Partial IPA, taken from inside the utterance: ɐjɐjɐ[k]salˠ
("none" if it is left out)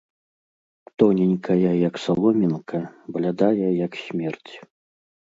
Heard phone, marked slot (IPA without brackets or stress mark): k